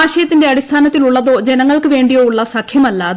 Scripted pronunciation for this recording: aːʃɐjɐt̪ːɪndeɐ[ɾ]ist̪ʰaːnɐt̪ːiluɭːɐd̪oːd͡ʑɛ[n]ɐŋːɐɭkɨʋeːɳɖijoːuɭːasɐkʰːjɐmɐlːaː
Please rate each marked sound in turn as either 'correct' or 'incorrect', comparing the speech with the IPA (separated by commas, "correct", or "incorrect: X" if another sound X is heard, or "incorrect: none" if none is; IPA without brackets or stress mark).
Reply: incorrect: ɽ, correct